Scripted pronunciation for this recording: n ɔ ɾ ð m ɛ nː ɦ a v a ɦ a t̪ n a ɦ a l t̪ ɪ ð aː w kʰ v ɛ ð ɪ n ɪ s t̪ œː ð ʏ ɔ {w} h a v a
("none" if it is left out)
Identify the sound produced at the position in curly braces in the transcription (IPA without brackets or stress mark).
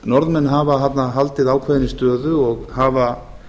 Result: ɣ